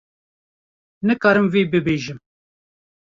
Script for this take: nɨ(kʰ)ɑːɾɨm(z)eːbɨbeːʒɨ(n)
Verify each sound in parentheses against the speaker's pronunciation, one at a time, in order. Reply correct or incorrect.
incorrect, incorrect, incorrect

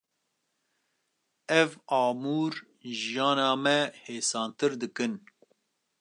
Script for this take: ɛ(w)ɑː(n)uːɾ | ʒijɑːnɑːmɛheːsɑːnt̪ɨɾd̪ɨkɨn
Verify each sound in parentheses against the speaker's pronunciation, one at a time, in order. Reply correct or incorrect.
incorrect, incorrect

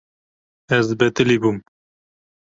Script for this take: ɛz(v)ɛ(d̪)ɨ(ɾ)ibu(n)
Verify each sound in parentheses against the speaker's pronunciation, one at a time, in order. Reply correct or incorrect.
incorrect, incorrect, incorrect, incorrect

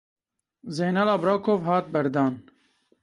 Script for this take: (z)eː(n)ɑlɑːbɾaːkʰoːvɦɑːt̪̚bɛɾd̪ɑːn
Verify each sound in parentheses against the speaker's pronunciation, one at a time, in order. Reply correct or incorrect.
correct, correct

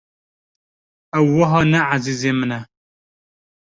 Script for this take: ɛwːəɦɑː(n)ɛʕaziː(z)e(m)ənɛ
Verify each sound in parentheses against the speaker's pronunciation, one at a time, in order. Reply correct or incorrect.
correct, correct, correct

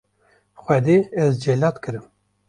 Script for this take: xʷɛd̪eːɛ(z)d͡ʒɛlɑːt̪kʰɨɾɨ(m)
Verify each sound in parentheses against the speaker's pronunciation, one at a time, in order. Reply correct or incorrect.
correct, correct

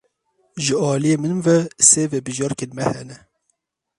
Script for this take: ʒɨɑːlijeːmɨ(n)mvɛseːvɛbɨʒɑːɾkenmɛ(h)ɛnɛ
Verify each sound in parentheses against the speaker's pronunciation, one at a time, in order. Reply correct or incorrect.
correct, correct

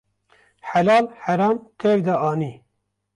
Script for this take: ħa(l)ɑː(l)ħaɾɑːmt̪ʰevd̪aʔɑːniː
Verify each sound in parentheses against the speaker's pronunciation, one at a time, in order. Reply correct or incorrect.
correct, correct

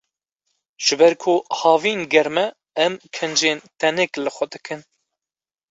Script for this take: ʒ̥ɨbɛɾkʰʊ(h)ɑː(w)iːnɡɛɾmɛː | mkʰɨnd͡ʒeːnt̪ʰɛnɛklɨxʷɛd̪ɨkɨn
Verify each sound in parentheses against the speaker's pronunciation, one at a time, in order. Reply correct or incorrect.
correct, incorrect

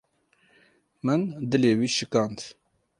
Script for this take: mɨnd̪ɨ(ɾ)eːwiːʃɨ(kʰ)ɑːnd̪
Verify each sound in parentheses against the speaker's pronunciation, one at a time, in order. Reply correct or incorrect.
incorrect, incorrect

